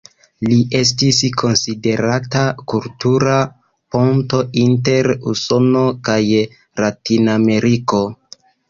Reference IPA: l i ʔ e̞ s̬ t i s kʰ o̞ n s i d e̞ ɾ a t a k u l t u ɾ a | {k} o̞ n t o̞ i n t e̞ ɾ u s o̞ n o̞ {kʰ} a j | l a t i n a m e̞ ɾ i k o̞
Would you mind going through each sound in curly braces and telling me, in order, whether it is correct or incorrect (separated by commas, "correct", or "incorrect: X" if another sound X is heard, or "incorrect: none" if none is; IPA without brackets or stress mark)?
incorrect: p, incorrect: k